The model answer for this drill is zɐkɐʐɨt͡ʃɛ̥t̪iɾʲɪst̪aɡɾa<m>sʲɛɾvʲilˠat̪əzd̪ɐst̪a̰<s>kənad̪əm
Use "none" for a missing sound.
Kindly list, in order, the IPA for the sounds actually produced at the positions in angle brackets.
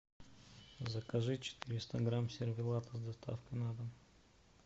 m, f

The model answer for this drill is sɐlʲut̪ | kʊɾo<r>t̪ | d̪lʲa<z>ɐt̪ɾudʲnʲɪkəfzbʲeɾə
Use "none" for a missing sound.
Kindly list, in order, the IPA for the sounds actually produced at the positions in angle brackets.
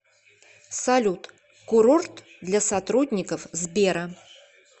r, s

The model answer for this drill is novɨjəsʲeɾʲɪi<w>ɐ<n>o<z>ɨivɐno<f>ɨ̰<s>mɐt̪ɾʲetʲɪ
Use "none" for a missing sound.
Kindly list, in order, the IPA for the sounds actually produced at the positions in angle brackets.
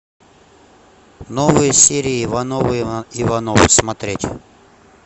v, n, v, v, s

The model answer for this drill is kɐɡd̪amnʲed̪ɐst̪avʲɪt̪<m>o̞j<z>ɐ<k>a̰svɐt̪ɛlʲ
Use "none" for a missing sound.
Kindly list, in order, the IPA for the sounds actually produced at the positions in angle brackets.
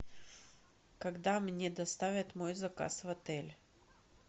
m, z, k

